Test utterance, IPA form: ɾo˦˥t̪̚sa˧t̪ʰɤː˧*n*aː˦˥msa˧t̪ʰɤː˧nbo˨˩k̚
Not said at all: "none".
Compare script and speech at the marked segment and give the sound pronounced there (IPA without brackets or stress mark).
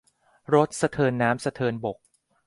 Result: nː